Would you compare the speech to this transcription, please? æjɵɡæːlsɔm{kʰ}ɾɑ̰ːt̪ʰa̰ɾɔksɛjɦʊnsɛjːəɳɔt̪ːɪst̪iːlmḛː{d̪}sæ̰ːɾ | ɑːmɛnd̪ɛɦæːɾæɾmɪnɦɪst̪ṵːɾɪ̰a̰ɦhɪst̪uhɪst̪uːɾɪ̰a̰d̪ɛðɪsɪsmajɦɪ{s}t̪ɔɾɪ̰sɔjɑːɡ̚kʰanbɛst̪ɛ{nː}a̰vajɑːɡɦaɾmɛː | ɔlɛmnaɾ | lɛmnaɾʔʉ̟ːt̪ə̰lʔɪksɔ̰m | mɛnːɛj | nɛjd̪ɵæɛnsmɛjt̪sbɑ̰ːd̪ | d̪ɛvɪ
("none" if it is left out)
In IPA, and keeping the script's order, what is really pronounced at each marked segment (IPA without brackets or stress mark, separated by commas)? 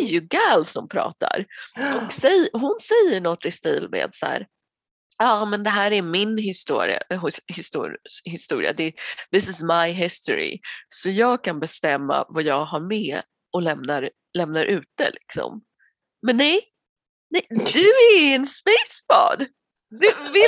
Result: pʰ, d̪, s, mː